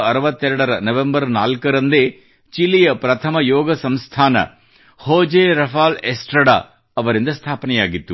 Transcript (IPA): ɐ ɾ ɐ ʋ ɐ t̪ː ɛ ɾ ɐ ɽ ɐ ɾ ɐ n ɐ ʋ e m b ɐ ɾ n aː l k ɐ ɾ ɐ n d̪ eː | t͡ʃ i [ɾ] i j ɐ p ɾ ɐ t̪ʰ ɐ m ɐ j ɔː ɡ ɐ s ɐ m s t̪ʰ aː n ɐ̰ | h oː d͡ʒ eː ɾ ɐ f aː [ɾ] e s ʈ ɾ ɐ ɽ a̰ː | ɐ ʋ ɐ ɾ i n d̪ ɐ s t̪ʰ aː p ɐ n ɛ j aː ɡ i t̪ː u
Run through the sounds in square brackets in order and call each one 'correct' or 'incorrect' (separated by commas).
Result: incorrect, incorrect